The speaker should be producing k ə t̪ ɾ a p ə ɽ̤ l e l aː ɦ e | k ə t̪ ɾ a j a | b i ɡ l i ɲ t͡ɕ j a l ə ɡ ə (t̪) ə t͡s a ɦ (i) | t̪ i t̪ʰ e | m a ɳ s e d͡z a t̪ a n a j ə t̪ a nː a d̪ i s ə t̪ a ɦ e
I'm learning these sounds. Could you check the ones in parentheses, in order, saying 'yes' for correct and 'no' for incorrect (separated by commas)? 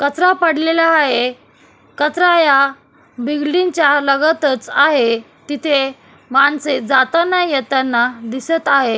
yes, no